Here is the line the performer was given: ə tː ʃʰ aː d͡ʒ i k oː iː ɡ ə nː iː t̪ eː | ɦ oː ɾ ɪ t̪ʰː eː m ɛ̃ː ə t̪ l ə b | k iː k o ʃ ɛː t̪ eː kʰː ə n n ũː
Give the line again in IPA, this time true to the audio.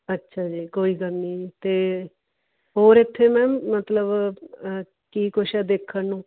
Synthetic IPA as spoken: ə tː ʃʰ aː d͡ʒ iː k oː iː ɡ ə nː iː t̪ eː | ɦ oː ɾ ɪ t̪ʰː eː m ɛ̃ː ə t̪ l ə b | k iː k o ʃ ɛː d̪ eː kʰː ə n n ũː